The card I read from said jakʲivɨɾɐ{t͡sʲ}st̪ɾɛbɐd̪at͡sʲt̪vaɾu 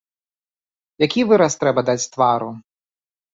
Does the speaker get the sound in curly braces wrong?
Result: yes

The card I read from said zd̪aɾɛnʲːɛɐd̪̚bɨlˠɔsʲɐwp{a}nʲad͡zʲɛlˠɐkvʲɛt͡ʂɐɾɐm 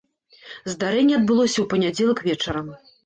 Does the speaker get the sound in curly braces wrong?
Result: yes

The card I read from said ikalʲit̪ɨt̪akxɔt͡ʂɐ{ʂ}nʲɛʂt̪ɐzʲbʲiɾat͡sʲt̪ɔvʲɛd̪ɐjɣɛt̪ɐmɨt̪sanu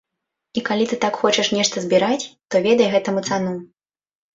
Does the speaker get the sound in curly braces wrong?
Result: no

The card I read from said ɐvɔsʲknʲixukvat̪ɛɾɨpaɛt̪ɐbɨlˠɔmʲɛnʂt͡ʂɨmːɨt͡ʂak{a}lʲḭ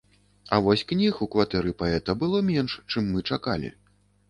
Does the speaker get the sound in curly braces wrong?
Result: no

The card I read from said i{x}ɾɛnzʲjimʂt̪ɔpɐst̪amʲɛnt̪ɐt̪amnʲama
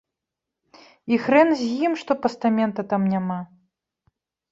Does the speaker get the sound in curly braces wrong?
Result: no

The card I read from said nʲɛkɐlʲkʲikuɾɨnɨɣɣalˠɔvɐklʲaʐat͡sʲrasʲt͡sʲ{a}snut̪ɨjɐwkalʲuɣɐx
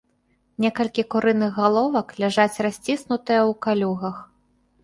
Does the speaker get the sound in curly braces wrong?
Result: yes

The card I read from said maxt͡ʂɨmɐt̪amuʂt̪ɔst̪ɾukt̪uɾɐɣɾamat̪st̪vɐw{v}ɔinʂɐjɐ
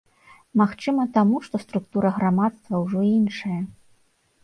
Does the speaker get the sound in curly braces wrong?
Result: yes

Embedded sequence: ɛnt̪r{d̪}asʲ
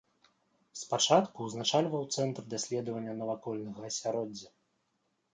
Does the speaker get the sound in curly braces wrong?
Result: no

